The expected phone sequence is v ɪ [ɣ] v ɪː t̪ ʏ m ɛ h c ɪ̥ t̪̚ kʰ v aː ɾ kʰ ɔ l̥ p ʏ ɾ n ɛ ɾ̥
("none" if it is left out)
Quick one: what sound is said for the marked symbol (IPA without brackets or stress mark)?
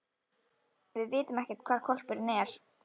ð